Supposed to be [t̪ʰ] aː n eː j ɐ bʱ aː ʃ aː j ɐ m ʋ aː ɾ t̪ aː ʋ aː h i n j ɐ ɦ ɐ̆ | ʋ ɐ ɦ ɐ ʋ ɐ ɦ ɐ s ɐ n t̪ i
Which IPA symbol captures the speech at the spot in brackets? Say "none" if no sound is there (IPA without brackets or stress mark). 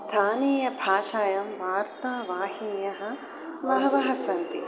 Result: t̪ʰ